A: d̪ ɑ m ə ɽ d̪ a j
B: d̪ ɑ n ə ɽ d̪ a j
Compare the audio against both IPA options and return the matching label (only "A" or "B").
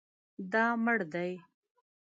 A